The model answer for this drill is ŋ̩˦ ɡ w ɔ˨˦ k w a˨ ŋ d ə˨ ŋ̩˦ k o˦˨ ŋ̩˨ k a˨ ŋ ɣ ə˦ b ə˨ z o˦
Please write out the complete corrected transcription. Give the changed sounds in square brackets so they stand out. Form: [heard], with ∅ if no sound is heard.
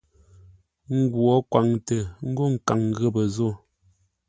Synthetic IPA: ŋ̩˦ ɡ w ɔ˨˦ k w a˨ ŋ [t] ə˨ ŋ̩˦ [ɡ] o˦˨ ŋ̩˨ k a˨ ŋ ɣ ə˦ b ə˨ z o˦

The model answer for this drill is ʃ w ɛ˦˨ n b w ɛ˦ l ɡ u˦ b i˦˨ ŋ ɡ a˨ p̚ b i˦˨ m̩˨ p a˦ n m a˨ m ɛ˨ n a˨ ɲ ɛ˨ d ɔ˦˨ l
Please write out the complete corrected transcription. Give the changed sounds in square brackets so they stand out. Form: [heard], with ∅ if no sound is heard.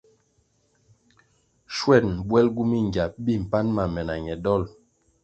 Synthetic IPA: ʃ w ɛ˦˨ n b w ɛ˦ l ɡ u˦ [m] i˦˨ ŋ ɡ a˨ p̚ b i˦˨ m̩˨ p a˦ n m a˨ m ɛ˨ n a˨ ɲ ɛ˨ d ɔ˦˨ l

